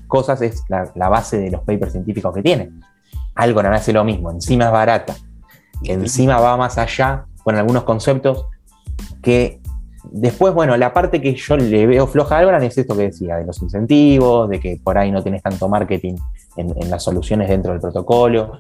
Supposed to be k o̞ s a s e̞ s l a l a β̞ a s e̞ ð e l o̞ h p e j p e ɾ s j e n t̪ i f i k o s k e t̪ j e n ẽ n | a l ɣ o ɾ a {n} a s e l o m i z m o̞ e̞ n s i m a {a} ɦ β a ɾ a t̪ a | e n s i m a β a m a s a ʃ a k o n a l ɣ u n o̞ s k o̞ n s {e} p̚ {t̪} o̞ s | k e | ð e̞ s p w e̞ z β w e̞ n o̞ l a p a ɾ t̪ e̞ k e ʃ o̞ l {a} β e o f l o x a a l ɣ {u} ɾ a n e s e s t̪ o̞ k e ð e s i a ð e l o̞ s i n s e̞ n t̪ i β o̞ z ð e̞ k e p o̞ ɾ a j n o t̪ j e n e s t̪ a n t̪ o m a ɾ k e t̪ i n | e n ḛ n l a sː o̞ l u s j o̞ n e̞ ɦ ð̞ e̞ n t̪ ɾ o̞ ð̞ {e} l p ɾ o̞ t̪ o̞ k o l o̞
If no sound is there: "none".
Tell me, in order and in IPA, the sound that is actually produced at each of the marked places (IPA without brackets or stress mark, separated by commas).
n, e, e, t̪, e, o, e